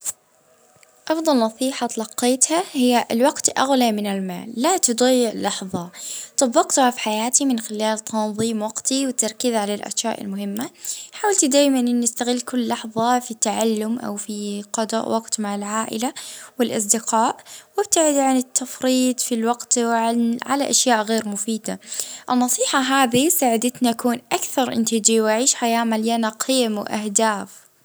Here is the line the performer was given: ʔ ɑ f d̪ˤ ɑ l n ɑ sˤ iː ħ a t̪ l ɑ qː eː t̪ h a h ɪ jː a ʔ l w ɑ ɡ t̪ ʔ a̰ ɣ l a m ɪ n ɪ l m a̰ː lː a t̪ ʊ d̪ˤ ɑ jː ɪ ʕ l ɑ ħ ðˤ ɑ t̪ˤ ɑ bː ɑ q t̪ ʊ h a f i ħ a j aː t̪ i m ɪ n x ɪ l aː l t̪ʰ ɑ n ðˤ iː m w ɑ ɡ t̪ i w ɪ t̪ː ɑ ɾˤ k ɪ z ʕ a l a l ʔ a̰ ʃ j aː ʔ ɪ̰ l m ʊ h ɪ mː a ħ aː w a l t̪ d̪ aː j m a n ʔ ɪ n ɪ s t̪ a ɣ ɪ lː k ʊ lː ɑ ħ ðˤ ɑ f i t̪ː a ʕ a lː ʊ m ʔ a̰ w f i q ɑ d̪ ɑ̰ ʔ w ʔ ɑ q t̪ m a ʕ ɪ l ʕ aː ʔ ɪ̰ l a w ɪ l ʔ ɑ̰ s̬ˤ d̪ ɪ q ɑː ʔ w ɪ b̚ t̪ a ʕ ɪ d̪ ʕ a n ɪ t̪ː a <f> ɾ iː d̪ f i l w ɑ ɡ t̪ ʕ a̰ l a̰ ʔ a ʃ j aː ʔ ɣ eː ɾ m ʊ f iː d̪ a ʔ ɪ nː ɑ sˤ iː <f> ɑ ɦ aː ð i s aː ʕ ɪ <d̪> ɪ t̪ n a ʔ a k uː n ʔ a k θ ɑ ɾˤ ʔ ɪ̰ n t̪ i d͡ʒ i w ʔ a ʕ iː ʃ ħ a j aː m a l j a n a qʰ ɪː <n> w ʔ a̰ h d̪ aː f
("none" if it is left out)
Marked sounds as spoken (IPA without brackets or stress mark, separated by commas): f, ħ, d̪, m